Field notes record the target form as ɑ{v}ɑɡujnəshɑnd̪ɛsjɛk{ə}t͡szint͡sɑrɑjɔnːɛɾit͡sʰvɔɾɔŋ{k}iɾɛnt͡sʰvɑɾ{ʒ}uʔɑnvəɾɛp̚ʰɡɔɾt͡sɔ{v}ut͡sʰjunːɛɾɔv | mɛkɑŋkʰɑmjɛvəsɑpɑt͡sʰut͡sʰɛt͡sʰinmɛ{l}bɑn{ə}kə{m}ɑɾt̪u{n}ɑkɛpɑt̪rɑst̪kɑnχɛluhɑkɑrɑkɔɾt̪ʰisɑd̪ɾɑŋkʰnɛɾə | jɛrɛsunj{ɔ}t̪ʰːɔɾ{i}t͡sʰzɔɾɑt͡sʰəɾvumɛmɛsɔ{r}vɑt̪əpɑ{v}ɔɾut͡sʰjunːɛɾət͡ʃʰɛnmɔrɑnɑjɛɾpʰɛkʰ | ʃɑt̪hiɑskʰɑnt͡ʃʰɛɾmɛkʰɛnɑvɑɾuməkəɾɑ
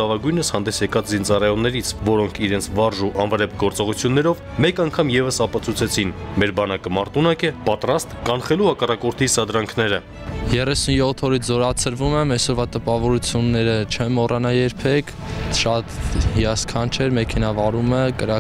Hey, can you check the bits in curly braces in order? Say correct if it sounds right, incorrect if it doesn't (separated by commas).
correct, incorrect, incorrect, correct, incorrect, incorrect, incorrect, correct, correct, correct, correct, incorrect, correct